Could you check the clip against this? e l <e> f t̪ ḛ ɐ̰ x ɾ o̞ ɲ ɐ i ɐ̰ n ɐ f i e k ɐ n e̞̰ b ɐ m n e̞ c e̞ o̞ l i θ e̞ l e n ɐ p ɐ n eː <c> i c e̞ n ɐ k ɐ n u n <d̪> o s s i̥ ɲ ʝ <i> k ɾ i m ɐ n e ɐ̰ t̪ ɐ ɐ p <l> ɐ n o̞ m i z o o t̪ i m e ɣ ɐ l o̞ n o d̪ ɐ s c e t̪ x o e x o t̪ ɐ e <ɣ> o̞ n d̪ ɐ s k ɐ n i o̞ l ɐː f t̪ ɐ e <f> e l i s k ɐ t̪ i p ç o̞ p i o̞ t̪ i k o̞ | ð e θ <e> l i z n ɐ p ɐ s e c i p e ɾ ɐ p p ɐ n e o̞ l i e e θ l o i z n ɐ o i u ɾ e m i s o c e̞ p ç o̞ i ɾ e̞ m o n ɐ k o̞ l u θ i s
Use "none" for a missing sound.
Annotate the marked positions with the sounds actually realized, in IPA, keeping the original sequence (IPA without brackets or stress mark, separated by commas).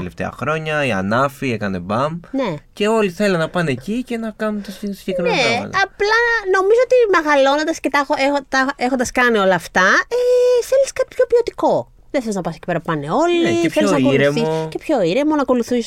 e, c, t̪, e, l, x, θ, e